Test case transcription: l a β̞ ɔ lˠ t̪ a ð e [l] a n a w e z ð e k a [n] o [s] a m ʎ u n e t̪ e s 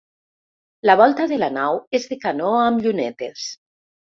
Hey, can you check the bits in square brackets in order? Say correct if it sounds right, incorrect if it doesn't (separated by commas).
correct, correct, incorrect